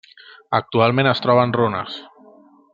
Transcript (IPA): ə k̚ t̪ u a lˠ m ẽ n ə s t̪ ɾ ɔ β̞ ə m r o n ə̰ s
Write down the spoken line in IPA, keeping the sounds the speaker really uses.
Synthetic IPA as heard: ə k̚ t̪ u a lˠ m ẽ n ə s t̪ ɾ ɔ β̞ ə n r o n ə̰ s

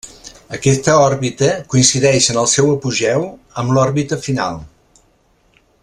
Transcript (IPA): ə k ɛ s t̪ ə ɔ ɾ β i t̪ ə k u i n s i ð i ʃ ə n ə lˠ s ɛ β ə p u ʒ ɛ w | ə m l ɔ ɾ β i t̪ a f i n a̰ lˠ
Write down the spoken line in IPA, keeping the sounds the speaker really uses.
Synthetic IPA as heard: ə k ɛ s t̪ ə ɔ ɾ β i t̪ ə k u i n s i ð ɛ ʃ ə n ə lˠ s ɛ w ə p u ʒ ɛ w | ə m l ɔ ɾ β i t̪ ə f i n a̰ lˠ

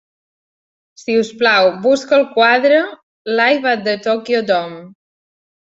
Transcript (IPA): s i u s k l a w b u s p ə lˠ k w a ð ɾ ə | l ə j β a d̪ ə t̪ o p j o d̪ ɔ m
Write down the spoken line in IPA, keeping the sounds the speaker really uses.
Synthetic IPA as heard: s i u s p l a w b u s k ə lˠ k w a ð ɾ ə | l a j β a d̪ ə t̪ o k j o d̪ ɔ m

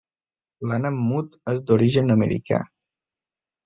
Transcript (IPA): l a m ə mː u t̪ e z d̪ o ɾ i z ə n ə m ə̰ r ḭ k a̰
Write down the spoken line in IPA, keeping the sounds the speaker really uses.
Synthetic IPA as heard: l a n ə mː u t̪ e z d̪ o ɾ i ʒ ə n ə m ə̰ ɾ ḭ k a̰

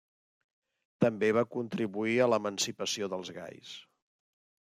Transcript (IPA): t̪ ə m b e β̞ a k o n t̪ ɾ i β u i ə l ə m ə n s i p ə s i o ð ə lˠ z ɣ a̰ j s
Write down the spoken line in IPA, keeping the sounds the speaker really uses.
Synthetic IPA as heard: t̪ ə m b e β̞ a k u n t̪ ɾ i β u i ə l ə m ə n s i p ə s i o ð ə lˠ z ɣ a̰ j s

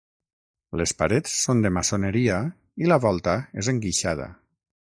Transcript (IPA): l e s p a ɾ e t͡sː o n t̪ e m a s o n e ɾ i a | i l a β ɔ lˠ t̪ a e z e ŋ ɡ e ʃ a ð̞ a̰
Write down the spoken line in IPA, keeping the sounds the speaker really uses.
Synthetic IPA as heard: l e s p a ɾ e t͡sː o n d̪ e m a s o n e ɾ i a | i l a β ɔ lˠ t̪ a e z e ŋ ɡ i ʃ a ð̞ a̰

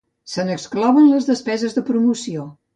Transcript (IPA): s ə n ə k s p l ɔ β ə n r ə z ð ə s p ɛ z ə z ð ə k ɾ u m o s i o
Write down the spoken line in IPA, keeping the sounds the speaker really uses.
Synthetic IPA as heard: s ə n ə k s k l ɔ β ə n l ə z ð ə s p ɛ z ə z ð ə p ɾ u m u s i o

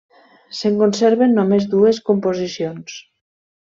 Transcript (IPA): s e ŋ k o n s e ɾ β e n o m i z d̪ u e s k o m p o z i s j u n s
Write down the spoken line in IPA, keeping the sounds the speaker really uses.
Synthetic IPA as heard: s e ŋ k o n s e ɾ β e nː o m e z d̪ u e s k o m p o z i s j o n s

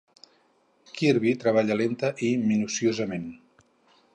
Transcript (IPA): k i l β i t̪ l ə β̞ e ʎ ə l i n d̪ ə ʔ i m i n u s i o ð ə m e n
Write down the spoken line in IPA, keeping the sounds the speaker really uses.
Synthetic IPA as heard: k i ɾ β i t̪ ɾ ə β̞ a ʎ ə l e n t̪ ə ʔ i m i n u s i o z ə m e n

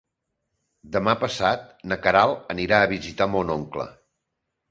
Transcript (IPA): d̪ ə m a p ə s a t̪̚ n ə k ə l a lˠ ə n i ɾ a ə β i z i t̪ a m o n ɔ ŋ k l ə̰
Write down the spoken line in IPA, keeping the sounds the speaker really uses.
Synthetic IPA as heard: d̪ ə m a p ə s a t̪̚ n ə k ə ɾ a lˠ ə n i ɾ a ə β i z i t̪ a m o n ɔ ŋ k l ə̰

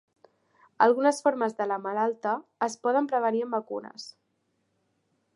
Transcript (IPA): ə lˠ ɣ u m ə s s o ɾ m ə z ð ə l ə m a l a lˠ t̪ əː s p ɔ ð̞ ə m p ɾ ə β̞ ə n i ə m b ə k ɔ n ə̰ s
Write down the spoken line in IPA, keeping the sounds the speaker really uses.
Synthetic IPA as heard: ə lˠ ɣ u n ə s f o ɾ m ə z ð ə l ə m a l a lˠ t̪ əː s p ɔ ð̞ ə m p ɾ ə β̞ ə n i ə m b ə k u n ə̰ s

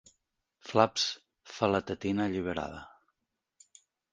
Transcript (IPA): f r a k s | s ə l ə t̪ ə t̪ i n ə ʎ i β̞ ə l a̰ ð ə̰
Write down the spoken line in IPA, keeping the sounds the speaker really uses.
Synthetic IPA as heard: f l a p s | f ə l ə t̪ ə t̪ i n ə ʎ i β̞ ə ɾ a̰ ð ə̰

